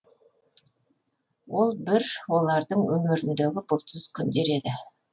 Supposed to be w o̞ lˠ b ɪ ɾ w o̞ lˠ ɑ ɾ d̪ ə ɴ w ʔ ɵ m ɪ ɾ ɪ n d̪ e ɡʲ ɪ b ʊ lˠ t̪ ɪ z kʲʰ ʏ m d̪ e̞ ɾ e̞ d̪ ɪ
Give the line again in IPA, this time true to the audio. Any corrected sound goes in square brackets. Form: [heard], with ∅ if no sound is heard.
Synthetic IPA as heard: w o̞ lˠ b ɪ ɾ w o̞ lˠ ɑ ɾ d̪ ə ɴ w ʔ ɵ m ɪ ɾ ɪ n d̪ e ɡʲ ɪ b ʊ lˠ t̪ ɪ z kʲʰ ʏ [n] d̪ e̞ ɾ e̞ d̪ ɪ